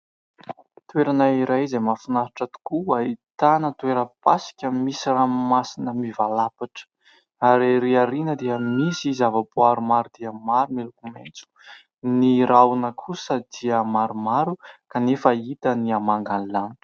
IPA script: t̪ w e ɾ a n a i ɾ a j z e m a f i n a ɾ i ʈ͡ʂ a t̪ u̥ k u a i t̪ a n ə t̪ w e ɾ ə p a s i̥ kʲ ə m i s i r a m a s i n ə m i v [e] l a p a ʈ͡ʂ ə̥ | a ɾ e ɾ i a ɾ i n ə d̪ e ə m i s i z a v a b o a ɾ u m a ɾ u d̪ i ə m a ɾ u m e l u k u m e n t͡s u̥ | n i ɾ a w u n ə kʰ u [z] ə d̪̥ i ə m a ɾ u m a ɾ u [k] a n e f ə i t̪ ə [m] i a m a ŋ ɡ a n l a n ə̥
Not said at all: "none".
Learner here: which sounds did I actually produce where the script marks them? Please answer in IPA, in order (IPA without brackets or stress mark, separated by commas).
a, s, k, n